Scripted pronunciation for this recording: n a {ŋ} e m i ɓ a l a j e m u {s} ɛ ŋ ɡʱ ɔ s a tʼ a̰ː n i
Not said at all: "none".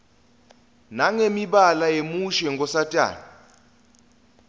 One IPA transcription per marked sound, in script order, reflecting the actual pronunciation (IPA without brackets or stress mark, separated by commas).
ŋ, ʃ